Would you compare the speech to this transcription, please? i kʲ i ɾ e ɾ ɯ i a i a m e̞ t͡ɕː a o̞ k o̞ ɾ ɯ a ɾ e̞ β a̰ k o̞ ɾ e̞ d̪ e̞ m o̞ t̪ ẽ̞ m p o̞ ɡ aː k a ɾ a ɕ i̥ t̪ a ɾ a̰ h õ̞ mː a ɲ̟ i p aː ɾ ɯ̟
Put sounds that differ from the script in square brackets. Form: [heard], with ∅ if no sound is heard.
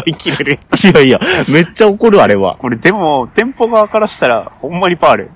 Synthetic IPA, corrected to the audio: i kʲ i ɾ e ɾ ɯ i a i a m e̞ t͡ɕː a o̞ k o̞ ɾ ɯ a ɾ e̞ β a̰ k o̞ ɾ e̞ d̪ e̞ m o̞ t̪ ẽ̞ m p o̞ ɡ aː k a ɾ a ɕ i̥ t̪ a ɾ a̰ h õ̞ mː a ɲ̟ i p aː ɾ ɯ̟